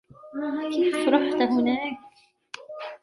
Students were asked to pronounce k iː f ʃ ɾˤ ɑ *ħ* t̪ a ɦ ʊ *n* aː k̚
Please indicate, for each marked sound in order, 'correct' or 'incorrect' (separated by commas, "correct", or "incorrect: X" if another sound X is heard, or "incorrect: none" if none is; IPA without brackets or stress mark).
correct, correct